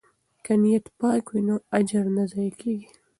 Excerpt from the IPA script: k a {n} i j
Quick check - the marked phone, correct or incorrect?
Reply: correct